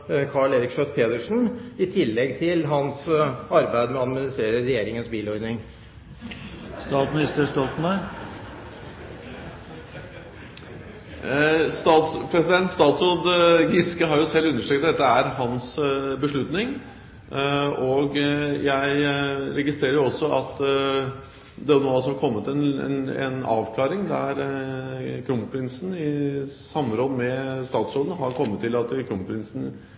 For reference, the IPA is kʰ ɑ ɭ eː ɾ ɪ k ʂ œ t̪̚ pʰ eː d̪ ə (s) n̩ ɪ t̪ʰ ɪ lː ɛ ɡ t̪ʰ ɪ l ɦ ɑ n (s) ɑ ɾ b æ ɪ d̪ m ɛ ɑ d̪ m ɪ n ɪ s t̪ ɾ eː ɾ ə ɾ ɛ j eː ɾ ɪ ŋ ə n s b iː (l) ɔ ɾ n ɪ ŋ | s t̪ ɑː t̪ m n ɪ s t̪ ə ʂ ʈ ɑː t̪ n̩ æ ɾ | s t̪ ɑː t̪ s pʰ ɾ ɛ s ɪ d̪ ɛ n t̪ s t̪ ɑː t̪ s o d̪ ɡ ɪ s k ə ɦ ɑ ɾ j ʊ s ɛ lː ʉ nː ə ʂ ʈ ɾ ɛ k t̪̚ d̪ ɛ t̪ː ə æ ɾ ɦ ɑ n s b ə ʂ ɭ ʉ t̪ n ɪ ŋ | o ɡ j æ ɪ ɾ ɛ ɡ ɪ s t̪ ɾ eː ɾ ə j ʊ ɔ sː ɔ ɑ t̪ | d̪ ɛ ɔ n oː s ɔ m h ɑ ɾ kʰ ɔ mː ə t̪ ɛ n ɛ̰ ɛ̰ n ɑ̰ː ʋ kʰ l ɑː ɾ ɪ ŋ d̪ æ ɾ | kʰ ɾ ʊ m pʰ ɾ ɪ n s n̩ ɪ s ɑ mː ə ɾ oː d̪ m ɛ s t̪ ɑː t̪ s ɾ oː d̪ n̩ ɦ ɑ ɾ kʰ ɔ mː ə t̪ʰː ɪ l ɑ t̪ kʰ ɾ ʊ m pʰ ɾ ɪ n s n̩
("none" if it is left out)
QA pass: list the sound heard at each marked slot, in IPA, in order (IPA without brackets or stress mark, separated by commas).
ʂ, s, l